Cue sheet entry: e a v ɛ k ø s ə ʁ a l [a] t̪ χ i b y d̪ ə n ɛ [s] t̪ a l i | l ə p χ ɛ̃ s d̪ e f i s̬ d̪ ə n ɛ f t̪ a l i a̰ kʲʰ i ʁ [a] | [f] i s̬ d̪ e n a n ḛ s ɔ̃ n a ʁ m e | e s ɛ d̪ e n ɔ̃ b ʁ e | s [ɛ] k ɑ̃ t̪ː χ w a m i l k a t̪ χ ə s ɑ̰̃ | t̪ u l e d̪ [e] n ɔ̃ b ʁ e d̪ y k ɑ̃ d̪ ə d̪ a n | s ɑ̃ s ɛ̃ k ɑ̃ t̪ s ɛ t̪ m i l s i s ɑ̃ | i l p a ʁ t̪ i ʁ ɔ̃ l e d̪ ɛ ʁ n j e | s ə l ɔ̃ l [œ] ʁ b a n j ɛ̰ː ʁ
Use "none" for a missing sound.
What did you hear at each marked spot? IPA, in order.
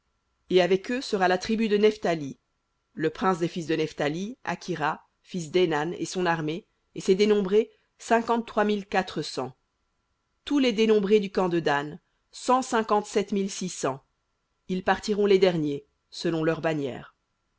a, f, a, f, ɛ̃, e, œ

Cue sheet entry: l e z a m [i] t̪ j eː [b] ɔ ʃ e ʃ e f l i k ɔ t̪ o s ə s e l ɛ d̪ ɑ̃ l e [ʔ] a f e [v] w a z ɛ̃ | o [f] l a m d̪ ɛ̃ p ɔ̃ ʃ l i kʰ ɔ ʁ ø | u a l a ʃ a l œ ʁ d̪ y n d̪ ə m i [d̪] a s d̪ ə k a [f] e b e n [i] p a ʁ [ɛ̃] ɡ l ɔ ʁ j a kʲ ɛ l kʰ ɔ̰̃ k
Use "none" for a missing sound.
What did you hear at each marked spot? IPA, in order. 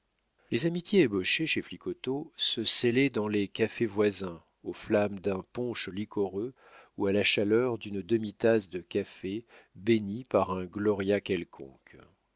i, b, k, v, f, t̪, f, i, ɛ̃

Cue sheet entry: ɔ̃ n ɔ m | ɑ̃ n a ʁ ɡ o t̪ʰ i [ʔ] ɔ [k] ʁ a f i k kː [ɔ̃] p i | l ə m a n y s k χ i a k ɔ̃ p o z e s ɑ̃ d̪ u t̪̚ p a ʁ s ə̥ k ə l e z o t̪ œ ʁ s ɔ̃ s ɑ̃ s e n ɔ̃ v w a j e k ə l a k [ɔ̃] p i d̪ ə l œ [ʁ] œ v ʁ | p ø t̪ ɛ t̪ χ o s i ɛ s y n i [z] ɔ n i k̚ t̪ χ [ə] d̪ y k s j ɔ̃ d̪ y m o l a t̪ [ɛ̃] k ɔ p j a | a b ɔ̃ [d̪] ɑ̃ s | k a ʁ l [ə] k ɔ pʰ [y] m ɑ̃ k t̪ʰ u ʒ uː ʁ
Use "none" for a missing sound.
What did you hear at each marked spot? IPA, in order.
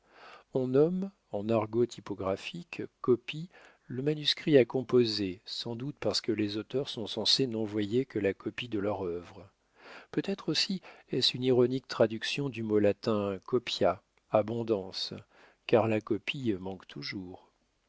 p, ɡ, ɔ, ɔ, ʁ, ʁ, a, ɛ̃, d̪, a, i

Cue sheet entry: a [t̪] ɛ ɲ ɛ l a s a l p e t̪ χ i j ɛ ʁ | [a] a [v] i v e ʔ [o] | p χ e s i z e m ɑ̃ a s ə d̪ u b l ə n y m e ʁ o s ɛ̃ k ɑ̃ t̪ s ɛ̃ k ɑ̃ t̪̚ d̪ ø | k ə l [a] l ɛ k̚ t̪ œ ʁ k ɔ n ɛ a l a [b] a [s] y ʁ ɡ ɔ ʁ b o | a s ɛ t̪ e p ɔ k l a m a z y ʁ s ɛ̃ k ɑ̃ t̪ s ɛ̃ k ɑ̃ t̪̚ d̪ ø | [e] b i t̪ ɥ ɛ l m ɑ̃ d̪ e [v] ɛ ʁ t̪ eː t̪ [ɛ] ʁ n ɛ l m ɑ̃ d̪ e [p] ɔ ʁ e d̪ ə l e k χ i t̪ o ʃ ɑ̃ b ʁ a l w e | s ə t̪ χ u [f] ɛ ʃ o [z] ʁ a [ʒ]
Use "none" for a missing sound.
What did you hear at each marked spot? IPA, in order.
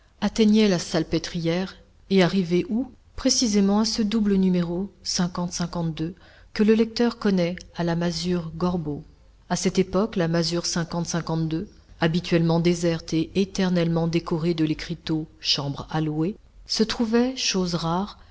t̪, e, ʁ, u, ə, m, z, a, z, ɛ, k, v, z, ʁ

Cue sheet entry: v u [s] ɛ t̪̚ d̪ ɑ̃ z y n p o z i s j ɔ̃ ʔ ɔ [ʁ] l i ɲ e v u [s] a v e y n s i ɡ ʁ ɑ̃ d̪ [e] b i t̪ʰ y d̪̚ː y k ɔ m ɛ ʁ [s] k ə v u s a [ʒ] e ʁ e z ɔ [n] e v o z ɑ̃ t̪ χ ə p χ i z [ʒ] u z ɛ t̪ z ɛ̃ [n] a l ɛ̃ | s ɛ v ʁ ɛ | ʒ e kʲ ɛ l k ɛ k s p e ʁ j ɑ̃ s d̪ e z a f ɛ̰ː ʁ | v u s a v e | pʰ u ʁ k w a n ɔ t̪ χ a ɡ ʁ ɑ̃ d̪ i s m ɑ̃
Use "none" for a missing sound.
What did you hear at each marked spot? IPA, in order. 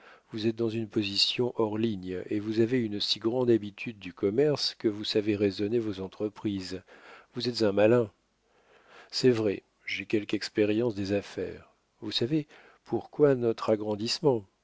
z, ʁ, z, a, s, v, n, v, m

